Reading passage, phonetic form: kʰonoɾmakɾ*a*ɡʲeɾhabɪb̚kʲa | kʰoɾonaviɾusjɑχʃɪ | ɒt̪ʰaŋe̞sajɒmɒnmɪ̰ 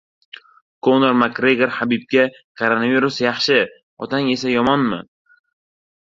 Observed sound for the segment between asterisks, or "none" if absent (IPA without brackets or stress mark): e